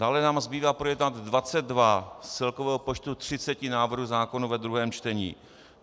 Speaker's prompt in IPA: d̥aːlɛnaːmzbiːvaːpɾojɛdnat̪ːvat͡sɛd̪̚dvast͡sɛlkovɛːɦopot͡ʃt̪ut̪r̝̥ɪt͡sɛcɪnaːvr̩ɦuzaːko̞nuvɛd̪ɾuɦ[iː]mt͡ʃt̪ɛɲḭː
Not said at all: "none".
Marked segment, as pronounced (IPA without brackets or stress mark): ɛː